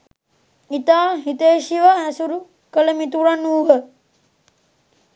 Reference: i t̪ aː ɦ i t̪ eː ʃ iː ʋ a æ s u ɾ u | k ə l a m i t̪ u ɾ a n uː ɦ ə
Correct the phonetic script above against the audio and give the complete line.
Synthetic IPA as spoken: i t̪ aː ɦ i t̪ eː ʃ i ʋ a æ s u ɾ u | k ə l ə m i t̪ u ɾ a n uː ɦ ə